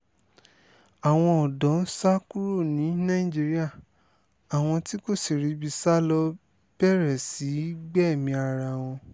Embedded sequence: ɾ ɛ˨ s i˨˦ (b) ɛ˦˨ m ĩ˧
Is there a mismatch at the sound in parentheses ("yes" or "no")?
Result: yes